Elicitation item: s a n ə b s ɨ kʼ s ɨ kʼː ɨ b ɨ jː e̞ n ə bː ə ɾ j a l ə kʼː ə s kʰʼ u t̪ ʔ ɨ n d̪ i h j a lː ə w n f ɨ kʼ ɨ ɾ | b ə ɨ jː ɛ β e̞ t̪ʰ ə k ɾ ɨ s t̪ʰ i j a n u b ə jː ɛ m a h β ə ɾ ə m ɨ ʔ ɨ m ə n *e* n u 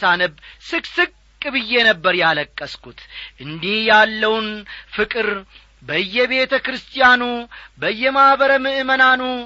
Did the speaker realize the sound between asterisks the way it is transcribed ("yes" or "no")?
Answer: no